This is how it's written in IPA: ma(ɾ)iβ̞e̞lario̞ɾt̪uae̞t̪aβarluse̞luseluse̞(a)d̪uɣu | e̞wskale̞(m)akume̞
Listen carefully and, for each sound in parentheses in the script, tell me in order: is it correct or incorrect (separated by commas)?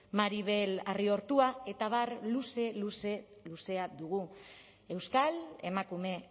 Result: correct, correct, correct